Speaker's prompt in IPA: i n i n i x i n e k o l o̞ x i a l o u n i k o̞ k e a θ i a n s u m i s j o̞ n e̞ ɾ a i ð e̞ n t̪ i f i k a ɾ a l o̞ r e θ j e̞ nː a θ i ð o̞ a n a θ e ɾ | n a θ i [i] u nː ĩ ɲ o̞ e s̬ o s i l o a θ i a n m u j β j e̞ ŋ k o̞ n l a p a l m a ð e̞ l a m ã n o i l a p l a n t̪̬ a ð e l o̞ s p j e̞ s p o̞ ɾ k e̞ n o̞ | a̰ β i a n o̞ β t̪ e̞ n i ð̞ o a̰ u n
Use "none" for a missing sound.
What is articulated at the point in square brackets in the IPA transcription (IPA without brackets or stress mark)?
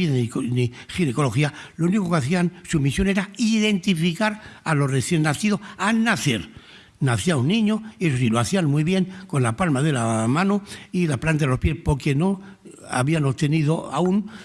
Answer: a